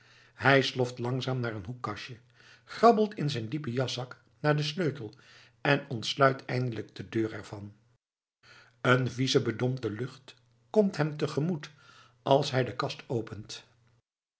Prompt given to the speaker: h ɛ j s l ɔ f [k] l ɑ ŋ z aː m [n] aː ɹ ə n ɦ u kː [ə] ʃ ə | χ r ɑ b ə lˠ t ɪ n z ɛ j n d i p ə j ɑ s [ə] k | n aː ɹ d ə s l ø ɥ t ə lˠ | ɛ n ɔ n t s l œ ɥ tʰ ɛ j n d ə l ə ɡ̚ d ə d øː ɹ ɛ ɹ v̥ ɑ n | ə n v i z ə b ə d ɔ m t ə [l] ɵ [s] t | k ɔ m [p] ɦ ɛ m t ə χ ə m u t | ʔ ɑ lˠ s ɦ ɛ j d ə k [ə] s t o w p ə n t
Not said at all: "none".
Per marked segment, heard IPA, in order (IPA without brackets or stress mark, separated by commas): t, n, ɑ, ɑ, l, χ, t, ɑ